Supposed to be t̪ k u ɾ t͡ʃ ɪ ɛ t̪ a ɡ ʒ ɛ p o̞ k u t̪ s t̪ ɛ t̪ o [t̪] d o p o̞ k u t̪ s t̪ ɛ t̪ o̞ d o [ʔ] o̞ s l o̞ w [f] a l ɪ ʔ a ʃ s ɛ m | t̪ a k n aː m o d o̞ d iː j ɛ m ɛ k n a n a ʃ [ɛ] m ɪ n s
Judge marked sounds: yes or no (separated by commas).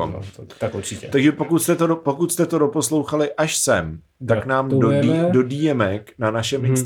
no, no, no, yes